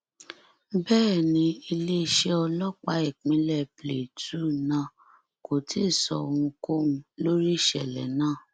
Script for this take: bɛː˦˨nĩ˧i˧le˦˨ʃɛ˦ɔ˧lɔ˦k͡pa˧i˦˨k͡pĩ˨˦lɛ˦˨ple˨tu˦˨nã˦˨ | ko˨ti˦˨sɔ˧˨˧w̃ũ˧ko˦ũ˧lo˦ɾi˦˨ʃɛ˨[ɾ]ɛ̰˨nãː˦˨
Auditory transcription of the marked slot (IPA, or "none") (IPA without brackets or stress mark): l